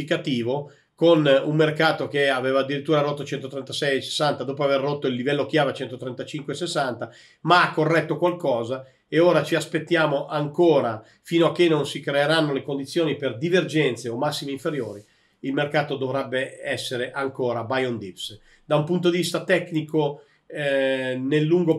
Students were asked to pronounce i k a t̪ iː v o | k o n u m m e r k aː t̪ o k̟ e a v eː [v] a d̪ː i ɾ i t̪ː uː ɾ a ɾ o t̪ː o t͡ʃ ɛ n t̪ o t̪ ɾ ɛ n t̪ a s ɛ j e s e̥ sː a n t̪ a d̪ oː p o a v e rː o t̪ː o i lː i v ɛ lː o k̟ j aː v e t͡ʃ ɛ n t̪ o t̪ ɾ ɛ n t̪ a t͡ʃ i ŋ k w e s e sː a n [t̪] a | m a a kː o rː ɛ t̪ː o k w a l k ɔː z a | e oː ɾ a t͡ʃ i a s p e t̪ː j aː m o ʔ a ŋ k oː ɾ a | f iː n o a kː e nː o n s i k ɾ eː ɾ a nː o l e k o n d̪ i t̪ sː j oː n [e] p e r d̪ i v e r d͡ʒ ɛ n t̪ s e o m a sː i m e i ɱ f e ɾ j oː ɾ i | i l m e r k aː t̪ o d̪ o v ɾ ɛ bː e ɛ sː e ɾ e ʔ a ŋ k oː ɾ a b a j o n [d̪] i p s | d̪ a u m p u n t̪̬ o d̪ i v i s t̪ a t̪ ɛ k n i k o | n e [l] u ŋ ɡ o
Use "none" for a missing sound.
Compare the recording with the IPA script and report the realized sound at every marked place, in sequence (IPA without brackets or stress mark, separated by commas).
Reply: v, t̪, i, d̪, lː